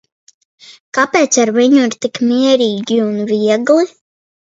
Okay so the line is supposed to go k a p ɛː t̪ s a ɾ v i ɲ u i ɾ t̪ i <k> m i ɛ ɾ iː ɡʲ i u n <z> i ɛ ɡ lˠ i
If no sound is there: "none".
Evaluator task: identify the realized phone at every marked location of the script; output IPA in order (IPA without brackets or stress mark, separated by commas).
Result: k, v